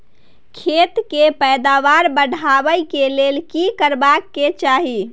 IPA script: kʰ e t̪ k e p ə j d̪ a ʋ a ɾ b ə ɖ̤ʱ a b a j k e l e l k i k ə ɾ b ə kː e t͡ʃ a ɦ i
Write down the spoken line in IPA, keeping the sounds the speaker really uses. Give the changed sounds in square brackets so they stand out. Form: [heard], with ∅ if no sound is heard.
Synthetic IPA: kʰ e t̪ k e p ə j d̪ a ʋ a ɾ b ə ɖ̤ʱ a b [ə] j k e l e l k i k ə ɾ b [a] kː e t͡ʃ a ɦ i